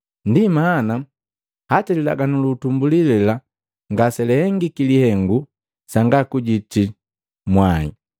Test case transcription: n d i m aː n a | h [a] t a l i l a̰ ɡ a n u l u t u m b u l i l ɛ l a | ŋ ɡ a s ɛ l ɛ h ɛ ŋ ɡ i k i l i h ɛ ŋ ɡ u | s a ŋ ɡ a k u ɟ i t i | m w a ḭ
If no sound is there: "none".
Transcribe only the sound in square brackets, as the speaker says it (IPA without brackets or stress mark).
a